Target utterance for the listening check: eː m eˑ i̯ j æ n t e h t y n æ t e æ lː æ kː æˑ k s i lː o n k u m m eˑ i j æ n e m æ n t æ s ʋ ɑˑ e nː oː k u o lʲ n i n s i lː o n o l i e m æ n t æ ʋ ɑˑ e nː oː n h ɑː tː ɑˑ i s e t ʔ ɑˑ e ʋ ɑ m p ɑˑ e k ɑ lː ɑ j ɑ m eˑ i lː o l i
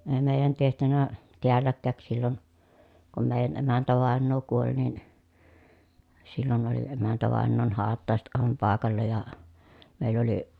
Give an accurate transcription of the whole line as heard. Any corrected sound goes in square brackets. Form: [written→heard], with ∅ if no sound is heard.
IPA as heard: eː m eˑ i̯ j æ n t e h t y n æ t e æ lː æ kː æˑ k s i lː o n k u m m eˑ i j æ n e m æ n t æ [s→∅] ʋ ɑˑ e nː oː k u o lʲ n i n s i lː o n o l i e m æ n t æ ʋ ɑˑ e nː oː n h ɑː tː ɑˑ [i→e] s e t ʔ ɑˑ e ʋ ɑ m p ɑˑ e k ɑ lː ɑ j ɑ m eˑ i lː o l i